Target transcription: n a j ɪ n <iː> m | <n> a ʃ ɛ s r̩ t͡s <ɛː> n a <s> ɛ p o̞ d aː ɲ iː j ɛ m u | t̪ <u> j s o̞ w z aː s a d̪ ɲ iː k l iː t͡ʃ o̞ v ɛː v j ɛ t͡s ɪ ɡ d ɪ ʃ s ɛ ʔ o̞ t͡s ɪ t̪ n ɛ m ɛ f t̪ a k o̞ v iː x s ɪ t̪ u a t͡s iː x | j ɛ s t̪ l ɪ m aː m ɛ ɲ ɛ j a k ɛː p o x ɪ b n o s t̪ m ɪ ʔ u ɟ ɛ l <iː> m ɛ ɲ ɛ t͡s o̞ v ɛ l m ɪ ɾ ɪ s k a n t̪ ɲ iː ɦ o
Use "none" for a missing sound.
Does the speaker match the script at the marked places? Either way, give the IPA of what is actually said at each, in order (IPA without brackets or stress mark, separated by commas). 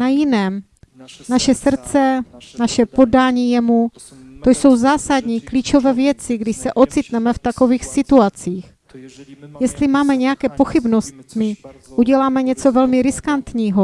ɛː, n, ɛ, ʃ, o, aː